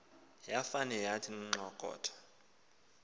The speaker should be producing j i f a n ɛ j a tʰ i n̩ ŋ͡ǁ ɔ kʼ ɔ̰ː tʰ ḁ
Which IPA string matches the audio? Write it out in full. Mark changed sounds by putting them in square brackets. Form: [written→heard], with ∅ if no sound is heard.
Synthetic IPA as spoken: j [i→a] f a n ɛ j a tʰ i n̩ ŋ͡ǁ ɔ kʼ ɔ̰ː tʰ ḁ